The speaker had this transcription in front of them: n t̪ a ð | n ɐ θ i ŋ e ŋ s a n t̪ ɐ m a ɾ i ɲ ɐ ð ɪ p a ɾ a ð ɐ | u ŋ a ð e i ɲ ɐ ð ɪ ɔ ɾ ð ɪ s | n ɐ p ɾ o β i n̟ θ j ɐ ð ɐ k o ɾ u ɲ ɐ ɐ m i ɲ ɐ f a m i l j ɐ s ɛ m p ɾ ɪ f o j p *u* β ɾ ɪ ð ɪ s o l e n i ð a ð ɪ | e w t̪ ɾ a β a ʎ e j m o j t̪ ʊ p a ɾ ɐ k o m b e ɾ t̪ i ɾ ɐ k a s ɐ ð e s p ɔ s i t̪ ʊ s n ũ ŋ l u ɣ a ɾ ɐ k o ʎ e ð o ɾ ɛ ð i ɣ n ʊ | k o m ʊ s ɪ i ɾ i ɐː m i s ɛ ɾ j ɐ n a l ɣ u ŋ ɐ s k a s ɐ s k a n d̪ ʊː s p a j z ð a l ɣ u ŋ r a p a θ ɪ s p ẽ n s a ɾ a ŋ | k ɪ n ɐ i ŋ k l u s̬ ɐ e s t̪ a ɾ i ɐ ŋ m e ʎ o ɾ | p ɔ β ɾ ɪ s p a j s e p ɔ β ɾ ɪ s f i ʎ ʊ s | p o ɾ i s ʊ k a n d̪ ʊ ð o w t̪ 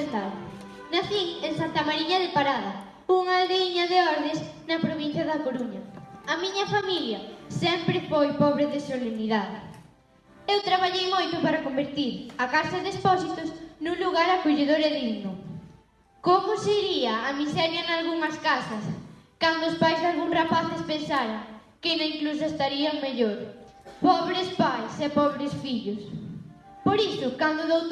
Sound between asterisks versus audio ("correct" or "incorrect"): incorrect